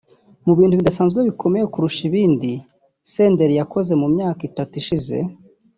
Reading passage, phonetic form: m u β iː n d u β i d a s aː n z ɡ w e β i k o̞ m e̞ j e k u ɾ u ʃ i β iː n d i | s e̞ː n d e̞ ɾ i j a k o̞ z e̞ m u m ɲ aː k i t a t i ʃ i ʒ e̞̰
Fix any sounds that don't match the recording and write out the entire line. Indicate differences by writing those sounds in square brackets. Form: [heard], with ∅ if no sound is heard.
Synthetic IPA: m u β iː n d u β i d a s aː n z ɡ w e β i k o̞ m e̞ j e k u ɾ u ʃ i β iː n d i | s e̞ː n d e̞ ɾ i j a k o̞ z e̞ m u m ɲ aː k i t a t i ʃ i [z] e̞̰